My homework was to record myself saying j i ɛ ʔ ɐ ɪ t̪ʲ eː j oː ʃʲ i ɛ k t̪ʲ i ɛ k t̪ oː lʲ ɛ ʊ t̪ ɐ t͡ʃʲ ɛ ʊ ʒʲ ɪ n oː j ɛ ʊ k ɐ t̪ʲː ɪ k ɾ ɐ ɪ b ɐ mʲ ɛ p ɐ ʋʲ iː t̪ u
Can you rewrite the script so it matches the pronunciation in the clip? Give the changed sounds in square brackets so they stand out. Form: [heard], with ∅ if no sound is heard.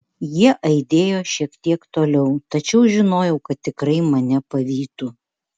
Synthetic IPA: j i ɛ ʔ ɐ ɪ [d̪ʲ] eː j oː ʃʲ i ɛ k t̪ʲ i ɛ k t̪ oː lʲ ɛ ʊ t̪ ɐ t͡ʃʲ ɛ ʊ ʒʲ ɪ n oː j ɛ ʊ k ɐ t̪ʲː ɪ k ɾ ɐ ɪ [m] ɐ [nʲ] ɛ p ɐ ʋʲ iː t̪ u